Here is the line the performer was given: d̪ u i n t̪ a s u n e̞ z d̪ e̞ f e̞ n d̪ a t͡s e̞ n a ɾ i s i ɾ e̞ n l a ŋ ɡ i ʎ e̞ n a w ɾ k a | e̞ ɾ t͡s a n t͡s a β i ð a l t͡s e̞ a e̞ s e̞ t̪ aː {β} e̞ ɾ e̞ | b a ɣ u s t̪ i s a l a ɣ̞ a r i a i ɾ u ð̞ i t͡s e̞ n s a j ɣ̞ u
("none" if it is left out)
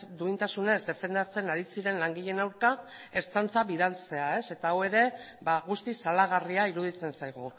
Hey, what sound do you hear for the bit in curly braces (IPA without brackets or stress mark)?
w